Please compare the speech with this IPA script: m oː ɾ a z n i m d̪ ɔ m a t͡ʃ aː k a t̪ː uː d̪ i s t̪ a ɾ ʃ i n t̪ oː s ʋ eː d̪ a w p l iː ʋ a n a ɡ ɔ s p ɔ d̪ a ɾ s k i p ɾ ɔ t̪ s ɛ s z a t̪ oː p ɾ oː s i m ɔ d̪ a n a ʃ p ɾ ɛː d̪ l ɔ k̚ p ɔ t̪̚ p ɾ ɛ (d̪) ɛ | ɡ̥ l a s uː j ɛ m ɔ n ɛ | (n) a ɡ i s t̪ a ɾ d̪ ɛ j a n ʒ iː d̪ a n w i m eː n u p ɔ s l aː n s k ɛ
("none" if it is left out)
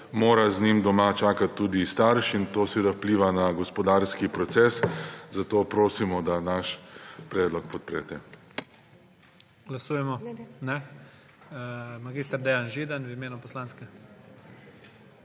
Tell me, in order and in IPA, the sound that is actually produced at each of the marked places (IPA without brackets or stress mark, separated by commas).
t̪, m